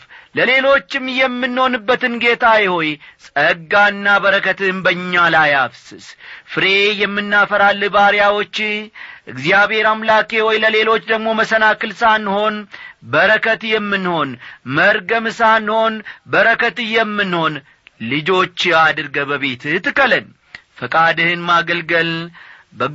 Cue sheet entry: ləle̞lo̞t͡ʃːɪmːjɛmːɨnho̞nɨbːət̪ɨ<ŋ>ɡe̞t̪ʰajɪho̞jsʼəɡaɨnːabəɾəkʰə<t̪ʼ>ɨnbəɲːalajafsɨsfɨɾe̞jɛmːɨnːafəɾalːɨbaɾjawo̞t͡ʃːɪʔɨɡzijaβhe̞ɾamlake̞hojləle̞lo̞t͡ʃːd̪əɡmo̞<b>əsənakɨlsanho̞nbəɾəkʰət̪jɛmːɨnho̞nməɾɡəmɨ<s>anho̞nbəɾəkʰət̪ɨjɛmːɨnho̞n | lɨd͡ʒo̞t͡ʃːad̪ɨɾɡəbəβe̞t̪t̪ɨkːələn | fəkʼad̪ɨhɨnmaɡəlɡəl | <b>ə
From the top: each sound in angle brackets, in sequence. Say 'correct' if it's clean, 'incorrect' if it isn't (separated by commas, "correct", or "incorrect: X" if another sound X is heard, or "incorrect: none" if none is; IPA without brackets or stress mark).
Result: incorrect: n, incorrect: t̪, incorrect: m, correct, correct